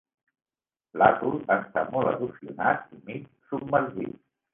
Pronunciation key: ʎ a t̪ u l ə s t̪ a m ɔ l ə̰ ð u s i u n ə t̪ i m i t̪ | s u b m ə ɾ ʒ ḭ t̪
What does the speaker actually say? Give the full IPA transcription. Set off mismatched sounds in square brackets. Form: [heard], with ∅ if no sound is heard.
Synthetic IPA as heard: [l] a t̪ u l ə s t̪ a m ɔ l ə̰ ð u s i u n [a] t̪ i m i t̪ | s u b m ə ɾ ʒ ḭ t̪